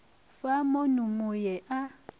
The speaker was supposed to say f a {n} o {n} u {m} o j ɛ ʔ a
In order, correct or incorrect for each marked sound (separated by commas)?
incorrect, correct, correct